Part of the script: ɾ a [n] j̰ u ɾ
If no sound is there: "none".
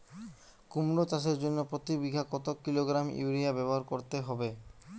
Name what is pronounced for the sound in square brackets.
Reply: m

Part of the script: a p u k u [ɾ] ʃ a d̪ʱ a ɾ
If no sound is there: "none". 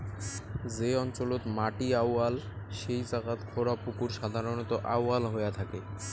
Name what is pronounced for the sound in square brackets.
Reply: ɾ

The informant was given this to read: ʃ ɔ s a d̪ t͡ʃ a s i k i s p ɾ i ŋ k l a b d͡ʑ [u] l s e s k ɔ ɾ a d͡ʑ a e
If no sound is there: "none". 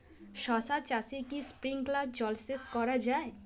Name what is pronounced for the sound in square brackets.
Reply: ɔ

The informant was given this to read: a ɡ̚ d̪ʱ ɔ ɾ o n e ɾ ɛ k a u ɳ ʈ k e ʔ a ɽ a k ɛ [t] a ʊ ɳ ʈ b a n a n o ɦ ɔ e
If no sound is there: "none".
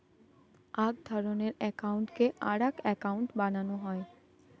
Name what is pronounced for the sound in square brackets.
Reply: k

